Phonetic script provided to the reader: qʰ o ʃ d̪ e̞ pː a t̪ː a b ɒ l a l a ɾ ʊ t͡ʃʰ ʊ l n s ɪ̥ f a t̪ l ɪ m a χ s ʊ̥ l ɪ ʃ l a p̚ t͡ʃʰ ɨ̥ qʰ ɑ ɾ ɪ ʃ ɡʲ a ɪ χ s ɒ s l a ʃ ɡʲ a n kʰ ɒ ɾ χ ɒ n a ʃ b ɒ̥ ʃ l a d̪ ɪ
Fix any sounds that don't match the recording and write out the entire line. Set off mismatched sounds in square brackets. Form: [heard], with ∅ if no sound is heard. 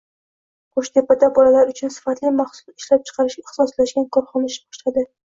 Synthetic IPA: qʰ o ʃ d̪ e̞ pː a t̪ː a b ɒ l a l a ɾ ʊ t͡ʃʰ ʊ [∅] n s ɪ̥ f a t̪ l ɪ m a χ s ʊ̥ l ɪ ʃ l a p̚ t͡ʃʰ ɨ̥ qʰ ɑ ɾ ɪ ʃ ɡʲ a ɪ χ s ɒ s l a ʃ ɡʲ a n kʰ ɒ ɾ χ ɒ n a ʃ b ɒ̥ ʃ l a d̪ ɪ

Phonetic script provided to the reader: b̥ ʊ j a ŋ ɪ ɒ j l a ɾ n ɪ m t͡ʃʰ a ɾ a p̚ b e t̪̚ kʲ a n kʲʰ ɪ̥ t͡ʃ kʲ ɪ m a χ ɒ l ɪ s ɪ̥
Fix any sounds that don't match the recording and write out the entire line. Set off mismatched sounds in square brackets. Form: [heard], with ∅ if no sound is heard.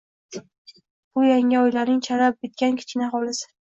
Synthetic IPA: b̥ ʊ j a ŋ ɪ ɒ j l a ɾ n ɪ [ŋ] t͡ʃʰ a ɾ a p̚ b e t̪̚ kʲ a n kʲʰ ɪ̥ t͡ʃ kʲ ɪ [n] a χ ɒ l ɪ s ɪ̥

